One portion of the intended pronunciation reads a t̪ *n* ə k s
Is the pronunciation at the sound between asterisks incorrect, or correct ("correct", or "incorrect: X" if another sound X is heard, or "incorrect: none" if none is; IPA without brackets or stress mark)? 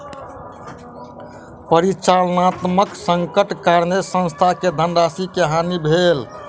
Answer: incorrect: m